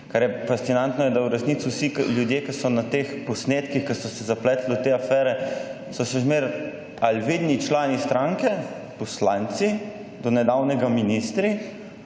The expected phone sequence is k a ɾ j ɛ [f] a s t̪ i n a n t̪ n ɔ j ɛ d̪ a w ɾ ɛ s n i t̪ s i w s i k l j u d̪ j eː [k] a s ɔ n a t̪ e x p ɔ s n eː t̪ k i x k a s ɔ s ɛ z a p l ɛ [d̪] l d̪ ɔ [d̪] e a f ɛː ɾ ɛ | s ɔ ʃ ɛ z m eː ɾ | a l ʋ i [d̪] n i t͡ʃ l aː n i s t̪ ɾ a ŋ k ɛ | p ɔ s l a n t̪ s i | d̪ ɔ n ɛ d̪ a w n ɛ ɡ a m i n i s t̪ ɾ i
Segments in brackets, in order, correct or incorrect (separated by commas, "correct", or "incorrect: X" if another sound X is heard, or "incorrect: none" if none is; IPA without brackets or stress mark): correct, correct, incorrect: t̪, incorrect: t̪, correct